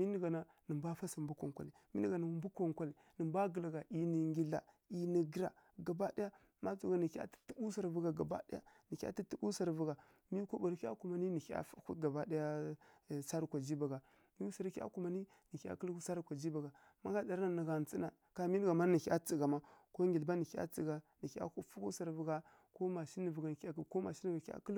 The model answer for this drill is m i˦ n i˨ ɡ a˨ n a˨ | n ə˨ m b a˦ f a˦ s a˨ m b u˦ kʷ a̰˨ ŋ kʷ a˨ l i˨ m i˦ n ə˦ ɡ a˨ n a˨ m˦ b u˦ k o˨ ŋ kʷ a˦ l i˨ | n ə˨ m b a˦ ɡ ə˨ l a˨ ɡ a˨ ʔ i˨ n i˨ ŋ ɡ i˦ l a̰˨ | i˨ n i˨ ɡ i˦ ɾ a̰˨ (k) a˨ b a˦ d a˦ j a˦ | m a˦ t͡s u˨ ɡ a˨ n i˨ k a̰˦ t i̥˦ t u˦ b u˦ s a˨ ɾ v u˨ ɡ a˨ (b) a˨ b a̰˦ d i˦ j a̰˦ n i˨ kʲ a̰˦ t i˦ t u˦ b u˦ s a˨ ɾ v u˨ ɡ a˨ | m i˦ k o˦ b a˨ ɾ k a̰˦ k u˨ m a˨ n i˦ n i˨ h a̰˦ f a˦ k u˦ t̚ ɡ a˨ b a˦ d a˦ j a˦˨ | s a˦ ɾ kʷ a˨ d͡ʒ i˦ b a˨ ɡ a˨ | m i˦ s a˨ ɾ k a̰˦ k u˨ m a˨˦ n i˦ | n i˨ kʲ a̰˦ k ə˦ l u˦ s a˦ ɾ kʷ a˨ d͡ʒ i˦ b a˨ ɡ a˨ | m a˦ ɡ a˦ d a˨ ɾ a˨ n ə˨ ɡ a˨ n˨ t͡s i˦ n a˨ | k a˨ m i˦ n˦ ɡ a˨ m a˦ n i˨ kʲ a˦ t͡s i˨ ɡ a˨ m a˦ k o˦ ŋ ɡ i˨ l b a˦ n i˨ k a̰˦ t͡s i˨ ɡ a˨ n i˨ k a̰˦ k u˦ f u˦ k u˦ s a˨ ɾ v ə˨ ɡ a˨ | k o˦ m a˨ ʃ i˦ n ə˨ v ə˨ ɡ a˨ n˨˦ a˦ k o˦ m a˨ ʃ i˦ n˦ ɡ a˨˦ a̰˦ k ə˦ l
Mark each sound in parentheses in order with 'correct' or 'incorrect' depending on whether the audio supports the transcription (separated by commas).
incorrect, incorrect